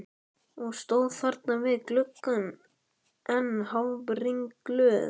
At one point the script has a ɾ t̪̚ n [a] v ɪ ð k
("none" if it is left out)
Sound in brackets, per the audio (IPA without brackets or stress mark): a